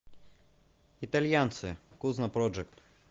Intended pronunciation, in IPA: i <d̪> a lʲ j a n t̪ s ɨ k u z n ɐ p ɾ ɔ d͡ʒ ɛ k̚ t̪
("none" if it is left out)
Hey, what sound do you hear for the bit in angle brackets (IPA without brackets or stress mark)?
t̪